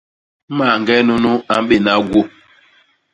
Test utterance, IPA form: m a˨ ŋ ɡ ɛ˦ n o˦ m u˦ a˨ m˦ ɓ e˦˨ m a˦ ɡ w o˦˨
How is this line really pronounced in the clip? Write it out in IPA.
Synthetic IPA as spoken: m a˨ ŋ ɡ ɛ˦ n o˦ n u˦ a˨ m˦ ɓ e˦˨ n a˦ ɡ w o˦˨